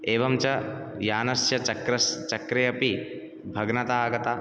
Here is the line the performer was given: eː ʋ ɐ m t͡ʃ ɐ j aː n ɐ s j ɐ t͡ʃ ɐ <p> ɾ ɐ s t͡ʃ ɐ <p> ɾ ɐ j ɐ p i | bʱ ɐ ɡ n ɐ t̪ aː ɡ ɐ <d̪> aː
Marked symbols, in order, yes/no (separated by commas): no, no, no